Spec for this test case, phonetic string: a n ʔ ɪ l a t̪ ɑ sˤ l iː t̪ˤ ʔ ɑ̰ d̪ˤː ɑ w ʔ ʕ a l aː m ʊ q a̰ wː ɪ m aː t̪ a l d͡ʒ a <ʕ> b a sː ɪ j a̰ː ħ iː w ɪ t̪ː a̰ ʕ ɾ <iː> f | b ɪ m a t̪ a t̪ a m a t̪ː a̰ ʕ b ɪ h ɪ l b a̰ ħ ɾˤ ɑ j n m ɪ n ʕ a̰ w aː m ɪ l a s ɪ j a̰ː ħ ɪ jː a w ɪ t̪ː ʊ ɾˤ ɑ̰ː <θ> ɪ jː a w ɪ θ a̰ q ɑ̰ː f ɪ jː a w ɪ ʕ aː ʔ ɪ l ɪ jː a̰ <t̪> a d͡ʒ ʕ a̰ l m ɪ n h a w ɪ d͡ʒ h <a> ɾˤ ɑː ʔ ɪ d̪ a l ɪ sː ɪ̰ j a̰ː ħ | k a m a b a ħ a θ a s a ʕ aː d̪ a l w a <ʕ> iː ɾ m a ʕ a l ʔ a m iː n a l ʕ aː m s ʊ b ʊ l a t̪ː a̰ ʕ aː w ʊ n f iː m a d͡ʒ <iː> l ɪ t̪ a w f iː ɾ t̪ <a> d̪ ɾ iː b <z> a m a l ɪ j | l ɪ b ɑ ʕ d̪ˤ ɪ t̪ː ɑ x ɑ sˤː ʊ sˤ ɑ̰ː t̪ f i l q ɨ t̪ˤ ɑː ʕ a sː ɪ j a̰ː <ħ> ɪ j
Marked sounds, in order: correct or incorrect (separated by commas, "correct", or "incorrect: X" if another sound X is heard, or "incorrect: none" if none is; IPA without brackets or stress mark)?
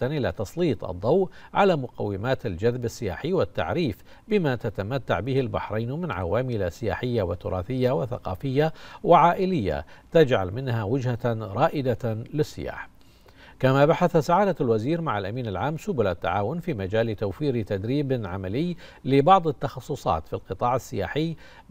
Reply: incorrect: ð, correct, correct, correct, correct, incorrect: z, incorrect: aː, correct, incorrect: ʕ, correct